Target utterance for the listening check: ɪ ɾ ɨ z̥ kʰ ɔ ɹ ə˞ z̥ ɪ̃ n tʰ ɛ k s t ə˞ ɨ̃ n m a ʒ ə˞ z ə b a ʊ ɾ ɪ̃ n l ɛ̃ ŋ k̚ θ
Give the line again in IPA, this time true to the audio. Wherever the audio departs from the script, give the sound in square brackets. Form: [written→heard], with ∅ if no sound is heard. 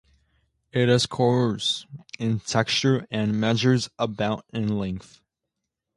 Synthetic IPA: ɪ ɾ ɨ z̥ kʰ ɔ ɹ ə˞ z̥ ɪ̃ n tʰ ɛ k s [t→t͡ʃ] ə˞ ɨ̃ n m [a→ɛ] ʒ ə˞ z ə b a ʊ ɾ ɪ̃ n l ɛ̃ ŋ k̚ θ